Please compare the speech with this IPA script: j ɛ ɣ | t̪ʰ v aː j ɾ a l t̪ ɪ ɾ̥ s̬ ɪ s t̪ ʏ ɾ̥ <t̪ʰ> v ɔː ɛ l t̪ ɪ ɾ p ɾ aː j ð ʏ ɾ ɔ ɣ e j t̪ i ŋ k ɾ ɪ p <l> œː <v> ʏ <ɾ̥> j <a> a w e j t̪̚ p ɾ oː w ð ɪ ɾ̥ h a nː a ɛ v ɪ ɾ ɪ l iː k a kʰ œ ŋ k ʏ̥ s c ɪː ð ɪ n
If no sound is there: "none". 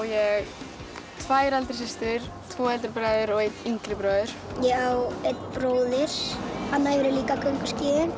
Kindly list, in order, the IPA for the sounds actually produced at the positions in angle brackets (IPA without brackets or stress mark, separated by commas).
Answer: t̪ʰ, ɾ, ð, ɾ̥, ɛ